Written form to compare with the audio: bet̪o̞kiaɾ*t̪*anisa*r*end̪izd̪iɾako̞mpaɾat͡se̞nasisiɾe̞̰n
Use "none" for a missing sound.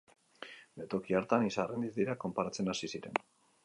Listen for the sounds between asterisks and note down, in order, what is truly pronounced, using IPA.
t̪, r

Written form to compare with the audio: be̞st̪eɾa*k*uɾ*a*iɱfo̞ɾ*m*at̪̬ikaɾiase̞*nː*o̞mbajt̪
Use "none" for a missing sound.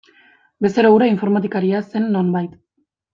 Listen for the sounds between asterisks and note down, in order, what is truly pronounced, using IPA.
none, a, m, nː

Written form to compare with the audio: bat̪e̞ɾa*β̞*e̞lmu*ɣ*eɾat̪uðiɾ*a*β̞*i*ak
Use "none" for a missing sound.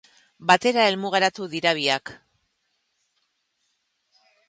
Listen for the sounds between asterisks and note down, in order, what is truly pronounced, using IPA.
none, ɣ, a, i

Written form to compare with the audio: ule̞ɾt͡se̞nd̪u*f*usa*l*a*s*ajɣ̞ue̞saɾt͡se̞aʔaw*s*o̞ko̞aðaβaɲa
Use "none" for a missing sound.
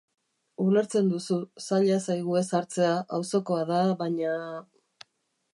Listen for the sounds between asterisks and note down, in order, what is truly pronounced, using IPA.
s, ʎ, s, s

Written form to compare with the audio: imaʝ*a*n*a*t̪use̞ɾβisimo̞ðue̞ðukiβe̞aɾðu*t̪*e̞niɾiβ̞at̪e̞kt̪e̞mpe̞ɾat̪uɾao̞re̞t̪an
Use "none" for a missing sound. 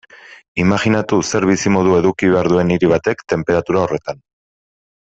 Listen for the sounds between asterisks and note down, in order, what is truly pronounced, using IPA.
i, a, none

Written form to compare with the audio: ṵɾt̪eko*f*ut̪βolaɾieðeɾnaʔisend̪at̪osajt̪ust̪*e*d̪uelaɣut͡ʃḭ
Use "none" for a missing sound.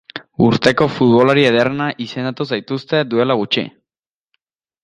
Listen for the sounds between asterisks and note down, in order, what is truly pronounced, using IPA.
f, e

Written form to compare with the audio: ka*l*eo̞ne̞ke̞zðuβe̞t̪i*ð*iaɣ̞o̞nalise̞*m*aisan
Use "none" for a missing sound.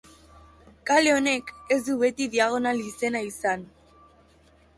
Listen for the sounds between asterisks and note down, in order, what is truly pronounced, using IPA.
l, ð, n

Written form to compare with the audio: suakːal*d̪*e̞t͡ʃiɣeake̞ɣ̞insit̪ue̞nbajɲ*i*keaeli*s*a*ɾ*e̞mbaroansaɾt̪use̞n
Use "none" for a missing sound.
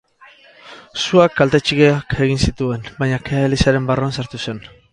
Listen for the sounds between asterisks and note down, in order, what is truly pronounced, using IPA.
t̪, a, s, ɾ

